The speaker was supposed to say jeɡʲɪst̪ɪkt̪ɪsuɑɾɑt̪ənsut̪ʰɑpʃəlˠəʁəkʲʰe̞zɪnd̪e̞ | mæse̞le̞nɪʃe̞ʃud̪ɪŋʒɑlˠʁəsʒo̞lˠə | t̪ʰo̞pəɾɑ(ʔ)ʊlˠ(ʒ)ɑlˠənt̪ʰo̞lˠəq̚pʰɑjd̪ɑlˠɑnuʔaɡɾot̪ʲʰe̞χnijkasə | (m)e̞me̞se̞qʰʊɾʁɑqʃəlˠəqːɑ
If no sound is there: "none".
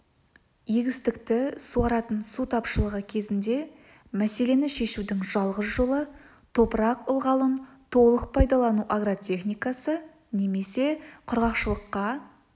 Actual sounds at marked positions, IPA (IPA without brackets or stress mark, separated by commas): q, ʁ, n